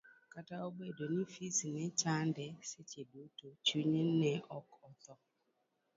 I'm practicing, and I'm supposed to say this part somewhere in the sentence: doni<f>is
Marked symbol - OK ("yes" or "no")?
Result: yes